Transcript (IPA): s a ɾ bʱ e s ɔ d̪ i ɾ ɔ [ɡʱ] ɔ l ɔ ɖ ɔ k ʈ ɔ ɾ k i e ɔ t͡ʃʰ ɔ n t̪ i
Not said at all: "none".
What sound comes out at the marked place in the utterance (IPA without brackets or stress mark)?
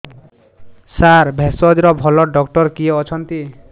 bʱ